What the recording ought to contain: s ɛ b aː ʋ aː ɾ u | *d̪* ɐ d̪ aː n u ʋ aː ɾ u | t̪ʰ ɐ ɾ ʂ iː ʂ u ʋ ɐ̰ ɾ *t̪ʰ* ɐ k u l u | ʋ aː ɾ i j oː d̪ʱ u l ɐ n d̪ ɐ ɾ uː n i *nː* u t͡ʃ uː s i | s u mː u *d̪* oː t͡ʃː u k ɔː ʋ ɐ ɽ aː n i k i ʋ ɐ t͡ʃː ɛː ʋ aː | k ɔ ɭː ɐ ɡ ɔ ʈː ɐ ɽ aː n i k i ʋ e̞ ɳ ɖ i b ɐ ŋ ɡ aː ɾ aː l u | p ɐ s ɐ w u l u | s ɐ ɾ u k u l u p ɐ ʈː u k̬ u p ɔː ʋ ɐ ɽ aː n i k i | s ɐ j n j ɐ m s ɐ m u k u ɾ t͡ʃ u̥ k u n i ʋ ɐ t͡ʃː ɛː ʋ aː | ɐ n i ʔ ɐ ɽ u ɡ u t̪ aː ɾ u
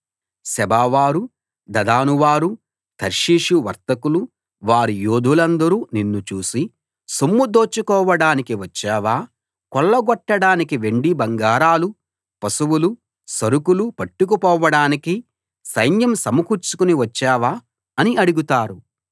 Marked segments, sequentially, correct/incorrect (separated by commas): correct, incorrect, correct, correct